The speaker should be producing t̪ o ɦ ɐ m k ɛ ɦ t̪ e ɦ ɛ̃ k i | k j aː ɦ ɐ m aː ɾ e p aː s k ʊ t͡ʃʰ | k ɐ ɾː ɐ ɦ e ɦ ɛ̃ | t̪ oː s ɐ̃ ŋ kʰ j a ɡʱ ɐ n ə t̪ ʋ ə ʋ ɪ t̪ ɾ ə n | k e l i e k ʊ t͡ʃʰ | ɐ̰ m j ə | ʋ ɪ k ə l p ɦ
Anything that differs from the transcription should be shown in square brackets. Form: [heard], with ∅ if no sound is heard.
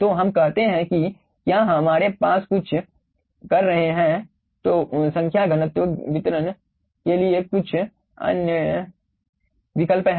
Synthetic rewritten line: t̪ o ɦ ɐ m k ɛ ɦ t̪ e ɦ ɛ̃ k i | k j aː ɦ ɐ m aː ɾ e p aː s k ʊ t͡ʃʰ | k ɐ ɾː ɐ ɦ e ɦ ɛ̃ | t̪ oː s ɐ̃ ŋ kʰ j a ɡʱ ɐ n ə t̪ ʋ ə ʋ ɪ t̪ ɾ ə n | k e l i e k ʊ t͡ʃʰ | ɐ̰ [n] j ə | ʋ ɪ k ə l p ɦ